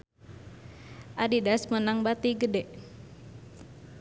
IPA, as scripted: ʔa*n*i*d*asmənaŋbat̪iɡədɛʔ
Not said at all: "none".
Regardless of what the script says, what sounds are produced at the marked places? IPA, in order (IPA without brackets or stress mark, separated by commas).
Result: d, d